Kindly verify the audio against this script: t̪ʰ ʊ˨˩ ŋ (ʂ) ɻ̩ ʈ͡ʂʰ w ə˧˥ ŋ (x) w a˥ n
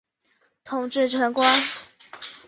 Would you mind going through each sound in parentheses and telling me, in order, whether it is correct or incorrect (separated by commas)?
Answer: incorrect, incorrect